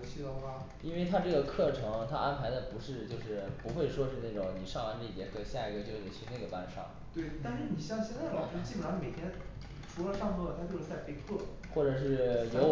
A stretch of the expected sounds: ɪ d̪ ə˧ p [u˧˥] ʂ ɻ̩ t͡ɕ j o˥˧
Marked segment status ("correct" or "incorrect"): correct